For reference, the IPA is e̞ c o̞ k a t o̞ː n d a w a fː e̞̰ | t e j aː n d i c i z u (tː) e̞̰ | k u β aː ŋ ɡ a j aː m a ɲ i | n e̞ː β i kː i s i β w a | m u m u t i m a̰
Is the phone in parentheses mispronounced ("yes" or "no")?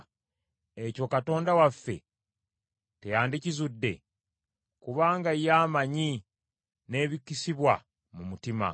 yes